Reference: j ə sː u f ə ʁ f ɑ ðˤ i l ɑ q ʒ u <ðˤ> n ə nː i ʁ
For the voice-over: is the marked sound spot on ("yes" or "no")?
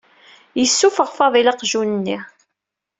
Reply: no